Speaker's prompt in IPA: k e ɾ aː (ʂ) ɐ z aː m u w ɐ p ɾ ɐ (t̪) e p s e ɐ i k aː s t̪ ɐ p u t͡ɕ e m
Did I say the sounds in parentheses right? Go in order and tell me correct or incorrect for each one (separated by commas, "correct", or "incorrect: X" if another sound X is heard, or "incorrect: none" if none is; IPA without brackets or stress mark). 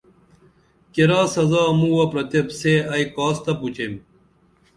incorrect: s, correct